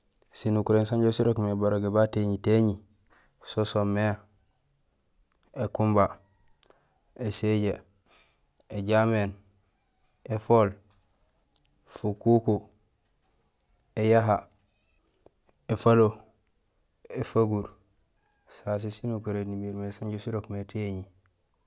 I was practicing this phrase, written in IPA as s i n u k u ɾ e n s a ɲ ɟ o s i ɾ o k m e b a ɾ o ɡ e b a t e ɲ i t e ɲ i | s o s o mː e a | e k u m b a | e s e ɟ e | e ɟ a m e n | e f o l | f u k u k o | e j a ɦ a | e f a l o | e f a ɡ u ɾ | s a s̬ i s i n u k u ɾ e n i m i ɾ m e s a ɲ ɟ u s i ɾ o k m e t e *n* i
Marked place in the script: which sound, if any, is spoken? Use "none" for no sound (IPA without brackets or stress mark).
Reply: ɲ